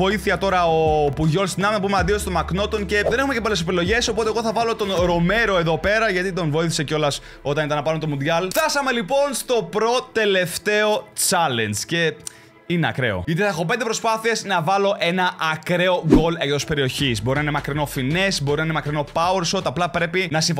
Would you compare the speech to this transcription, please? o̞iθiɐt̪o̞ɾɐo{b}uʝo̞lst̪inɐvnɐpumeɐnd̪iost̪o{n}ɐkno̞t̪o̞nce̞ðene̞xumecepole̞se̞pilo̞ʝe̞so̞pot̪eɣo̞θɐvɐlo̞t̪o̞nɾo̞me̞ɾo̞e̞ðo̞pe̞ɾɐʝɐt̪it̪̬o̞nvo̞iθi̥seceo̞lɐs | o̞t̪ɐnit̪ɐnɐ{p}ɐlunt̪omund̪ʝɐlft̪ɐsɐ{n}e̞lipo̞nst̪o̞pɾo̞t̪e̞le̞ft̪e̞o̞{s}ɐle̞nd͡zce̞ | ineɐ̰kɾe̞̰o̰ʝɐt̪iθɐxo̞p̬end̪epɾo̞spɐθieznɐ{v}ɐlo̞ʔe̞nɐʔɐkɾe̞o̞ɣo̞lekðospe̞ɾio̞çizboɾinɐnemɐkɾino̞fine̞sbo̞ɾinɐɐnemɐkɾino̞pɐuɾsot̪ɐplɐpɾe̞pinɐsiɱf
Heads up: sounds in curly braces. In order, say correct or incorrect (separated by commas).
incorrect, incorrect, correct, incorrect, incorrect, correct